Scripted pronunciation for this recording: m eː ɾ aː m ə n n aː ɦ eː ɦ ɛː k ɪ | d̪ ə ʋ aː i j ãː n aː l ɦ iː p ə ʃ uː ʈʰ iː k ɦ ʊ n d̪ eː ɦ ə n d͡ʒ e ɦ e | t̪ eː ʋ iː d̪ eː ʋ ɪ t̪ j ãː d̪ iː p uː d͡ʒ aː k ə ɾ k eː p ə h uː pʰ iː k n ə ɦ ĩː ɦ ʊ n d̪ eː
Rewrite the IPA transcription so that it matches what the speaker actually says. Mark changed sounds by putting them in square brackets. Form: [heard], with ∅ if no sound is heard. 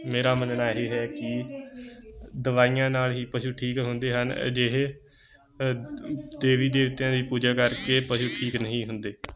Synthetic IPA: m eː ɾ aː m ə n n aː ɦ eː ɦ ɛː k ɪ | d̪ ə ʋ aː i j ãː n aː l ɦ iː p ə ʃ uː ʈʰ iː k ɦ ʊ n d̪ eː ɦ ə n d͡ʒ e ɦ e | [d̪] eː ʋ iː d̪ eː ʋ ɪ t̪ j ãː d̪ iː p uː d͡ʒ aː k ə ɾ k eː p ə [ʃ] uː [ʈʰ] iː k n ə ɦ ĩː ɦ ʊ n d̪ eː